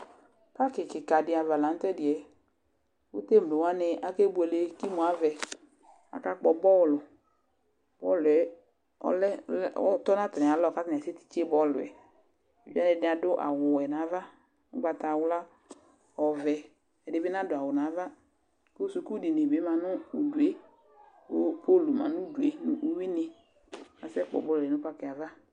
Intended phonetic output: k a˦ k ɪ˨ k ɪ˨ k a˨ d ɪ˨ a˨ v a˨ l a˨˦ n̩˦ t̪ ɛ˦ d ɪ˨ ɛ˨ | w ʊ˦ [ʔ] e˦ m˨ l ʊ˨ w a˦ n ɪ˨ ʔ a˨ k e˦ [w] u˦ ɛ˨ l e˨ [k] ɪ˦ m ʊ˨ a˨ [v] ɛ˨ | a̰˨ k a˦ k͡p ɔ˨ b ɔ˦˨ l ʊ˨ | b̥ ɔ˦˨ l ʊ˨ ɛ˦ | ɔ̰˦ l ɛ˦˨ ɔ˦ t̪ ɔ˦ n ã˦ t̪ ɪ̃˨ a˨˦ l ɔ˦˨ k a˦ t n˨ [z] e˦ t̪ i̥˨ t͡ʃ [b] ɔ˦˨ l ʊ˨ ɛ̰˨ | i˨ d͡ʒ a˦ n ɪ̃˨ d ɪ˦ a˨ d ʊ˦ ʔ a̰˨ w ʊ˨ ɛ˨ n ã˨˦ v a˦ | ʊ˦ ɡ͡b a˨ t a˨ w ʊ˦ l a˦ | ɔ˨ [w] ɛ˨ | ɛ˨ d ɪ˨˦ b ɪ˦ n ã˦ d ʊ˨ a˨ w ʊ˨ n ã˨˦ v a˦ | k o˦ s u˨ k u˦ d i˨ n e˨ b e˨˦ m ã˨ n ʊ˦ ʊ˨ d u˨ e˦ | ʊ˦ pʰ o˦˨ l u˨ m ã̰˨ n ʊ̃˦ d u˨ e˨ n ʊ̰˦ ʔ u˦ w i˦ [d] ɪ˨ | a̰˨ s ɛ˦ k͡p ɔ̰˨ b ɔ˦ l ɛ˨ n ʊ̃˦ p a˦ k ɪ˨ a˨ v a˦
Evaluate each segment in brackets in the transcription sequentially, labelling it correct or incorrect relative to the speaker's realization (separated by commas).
incorrect, incorrect, correct, correct, incorrect, correct, incorrect, incorrect